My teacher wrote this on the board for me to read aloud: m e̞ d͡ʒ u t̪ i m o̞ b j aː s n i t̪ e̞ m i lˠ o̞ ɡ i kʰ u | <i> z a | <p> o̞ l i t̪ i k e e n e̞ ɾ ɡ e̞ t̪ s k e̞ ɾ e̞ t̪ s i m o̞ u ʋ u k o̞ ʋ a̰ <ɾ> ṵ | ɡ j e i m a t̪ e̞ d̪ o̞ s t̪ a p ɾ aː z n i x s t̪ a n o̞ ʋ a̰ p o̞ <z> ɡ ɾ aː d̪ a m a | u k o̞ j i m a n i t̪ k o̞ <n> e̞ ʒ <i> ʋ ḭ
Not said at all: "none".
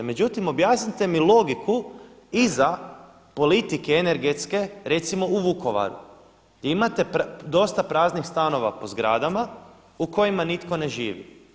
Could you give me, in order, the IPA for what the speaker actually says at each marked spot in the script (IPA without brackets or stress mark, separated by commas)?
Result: i, p, ɾ, z, n, iː